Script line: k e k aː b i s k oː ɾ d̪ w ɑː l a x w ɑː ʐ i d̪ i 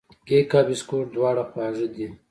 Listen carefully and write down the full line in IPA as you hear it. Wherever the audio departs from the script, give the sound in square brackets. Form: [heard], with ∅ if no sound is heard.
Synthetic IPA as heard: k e k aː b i s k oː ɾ d̪ w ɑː [ɽ] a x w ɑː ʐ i d̪ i